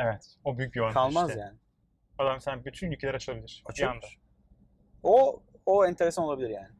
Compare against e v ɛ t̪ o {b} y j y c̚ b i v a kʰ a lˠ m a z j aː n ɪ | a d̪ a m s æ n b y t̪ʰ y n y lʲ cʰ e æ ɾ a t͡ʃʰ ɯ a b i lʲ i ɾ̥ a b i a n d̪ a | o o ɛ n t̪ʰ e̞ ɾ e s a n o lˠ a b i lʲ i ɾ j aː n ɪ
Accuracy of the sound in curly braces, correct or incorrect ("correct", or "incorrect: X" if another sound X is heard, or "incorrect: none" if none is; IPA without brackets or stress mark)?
correct